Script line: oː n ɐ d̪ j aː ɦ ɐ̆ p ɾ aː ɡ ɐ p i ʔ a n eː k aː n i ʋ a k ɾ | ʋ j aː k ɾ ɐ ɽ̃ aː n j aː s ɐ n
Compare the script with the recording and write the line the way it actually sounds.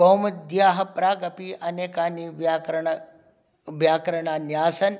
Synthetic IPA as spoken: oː m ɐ d̪ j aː ɦ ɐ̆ p ɾ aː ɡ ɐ p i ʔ ɐ n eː k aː n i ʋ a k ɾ | ʋ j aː k ɾ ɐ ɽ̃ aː n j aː s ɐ n